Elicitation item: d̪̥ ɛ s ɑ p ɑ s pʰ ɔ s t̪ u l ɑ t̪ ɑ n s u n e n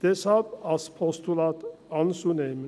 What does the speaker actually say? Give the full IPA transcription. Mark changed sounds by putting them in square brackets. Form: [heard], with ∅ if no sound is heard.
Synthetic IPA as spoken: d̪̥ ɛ s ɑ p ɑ s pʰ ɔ s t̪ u l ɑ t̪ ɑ n s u n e [m]